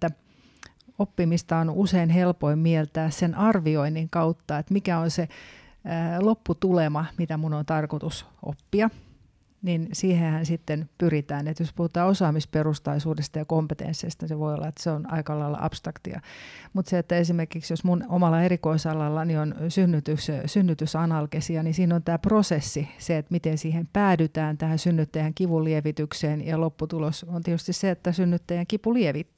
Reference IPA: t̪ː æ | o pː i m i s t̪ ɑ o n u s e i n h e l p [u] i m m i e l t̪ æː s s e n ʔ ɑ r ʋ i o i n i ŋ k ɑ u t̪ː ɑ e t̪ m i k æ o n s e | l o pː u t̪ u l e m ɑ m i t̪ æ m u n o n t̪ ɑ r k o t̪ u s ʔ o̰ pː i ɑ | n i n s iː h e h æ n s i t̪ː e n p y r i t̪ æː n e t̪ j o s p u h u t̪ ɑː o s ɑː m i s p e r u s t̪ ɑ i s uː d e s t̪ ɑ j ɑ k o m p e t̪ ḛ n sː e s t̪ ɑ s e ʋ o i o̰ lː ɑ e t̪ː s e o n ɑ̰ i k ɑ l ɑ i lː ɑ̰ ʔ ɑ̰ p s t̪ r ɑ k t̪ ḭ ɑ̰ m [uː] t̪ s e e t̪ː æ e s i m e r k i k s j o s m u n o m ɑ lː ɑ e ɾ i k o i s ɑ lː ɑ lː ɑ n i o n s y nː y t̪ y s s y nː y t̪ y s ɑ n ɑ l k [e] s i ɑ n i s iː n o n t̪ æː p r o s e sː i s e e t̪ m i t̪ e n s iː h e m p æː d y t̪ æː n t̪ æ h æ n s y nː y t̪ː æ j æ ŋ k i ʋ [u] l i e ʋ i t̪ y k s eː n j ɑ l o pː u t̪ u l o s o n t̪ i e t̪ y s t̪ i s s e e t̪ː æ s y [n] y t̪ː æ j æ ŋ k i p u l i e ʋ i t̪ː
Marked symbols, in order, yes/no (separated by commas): no, no, yes, yes, no